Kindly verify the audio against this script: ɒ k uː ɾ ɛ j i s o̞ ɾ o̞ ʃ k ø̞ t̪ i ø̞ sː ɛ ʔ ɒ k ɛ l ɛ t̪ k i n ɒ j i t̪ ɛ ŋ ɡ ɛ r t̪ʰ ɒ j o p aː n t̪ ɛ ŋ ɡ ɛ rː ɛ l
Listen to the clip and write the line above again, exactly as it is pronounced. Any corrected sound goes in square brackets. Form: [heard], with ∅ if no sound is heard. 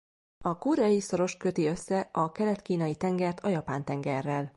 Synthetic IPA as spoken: ɒ k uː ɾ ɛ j i s o̞ ɾ o̞ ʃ k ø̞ t̪ i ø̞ sː ɛ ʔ ɒ k ɛ l ɛ t̪ k [iː] n ɒ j i t̪ ɛ ŋ ɡ ɛ r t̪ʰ ɒ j [ɒ] p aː n t̪ ɛ ŋ ɡ ɛ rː ɛ l